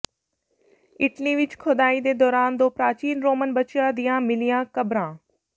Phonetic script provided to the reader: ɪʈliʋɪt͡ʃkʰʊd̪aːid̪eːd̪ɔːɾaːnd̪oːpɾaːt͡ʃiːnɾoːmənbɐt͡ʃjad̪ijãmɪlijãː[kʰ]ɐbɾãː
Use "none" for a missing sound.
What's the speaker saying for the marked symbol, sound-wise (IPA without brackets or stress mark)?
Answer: k